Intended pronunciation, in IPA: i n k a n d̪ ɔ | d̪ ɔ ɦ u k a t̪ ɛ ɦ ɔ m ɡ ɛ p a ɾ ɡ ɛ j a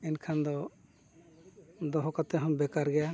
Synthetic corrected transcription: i n kʰ a n d̪ ɔ | d̪ ɔ ɦ ɔ k a t̪ ɛ ɦ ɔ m b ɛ k a ɾ ɡ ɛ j a